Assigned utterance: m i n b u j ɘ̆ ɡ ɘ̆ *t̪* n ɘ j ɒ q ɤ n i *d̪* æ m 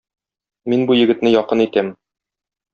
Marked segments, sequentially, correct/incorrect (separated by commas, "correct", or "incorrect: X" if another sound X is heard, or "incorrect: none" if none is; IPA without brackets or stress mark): correct, incorrect: t̪